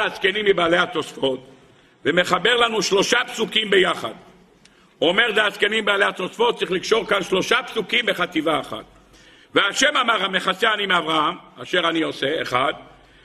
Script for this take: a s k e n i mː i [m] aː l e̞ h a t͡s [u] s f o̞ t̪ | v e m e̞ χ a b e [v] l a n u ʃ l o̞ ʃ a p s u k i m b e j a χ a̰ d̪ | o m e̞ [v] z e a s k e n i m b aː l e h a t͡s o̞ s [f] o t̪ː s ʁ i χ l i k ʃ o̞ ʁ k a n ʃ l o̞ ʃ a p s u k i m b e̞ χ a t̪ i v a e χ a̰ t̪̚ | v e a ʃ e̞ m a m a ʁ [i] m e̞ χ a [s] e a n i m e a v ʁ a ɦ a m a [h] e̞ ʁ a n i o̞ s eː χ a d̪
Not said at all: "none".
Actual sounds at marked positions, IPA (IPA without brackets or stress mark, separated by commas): b, o, ʁ, ʁ, f, a, s, ʃ